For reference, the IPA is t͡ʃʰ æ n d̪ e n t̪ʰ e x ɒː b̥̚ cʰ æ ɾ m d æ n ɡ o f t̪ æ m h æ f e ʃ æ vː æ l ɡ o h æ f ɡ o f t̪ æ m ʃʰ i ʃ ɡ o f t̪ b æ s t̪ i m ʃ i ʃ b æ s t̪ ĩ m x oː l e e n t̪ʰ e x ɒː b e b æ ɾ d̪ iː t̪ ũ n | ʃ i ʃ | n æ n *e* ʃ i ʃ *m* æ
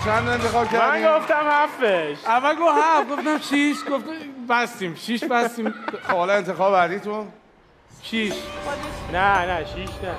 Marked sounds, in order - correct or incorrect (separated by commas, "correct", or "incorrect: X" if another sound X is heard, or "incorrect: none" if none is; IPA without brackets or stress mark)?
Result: incorrect: æ, incorrect: n